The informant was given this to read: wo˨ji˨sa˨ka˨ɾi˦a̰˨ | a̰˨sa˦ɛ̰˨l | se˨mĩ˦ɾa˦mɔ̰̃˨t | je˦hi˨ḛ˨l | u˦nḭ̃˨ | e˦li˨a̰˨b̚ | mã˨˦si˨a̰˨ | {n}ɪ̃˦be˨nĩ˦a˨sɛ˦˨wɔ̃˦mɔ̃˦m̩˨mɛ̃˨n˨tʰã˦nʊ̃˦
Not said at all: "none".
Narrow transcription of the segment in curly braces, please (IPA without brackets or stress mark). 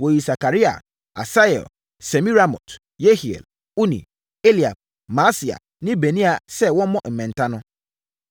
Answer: n